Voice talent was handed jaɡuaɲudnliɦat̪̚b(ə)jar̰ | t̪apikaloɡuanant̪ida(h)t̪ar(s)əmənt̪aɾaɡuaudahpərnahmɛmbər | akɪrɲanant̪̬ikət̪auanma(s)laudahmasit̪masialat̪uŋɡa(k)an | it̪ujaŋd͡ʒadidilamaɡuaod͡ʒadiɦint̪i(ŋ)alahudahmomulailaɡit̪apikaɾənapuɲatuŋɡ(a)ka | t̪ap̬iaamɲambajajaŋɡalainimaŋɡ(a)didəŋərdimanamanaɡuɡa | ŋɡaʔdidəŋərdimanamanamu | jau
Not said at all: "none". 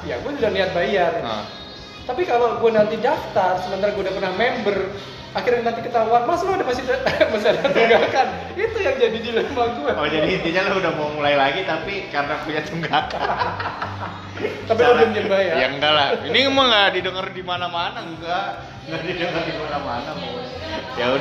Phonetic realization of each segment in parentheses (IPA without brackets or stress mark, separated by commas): a, f, s, s, k, ɲ, a, a